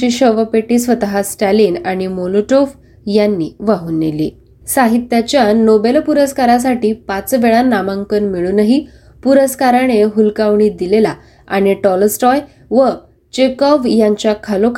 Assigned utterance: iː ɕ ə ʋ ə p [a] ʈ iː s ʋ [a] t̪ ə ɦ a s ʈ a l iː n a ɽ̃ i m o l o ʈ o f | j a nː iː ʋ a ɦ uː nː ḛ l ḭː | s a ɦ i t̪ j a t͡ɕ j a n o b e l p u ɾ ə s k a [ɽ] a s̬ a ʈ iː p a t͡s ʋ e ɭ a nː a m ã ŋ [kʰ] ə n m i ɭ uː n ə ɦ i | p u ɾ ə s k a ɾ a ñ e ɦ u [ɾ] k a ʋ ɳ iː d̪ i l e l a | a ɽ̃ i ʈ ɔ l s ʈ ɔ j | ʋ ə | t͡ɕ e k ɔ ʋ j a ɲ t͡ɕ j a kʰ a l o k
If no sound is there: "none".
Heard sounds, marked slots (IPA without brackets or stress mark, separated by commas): e, ə, ɾ, k, l